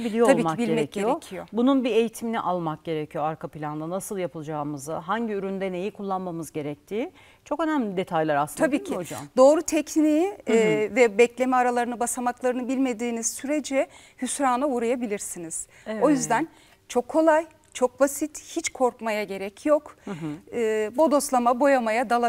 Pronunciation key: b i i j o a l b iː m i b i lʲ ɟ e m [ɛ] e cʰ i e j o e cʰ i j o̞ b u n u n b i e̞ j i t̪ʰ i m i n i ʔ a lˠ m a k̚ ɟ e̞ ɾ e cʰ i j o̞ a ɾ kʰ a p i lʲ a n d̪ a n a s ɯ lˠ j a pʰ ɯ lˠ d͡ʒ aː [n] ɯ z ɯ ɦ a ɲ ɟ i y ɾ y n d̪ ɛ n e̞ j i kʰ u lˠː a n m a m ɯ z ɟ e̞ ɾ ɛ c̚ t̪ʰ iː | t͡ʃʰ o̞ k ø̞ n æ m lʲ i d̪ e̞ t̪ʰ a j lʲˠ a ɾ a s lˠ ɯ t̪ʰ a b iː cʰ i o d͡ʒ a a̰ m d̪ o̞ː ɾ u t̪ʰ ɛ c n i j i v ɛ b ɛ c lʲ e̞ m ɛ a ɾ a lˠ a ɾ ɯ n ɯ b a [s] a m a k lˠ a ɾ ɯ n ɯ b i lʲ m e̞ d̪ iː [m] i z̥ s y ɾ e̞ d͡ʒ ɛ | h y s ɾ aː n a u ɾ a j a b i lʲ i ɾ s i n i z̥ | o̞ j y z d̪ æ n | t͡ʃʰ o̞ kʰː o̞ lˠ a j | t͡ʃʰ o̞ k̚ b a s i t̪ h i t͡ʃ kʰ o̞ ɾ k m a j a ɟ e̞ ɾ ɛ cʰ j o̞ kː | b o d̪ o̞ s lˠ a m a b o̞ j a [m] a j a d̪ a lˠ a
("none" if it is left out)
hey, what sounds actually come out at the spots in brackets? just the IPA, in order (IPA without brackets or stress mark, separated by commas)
ɛ, m, s, n, m